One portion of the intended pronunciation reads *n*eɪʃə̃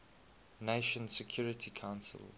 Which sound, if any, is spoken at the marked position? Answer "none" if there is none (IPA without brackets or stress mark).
n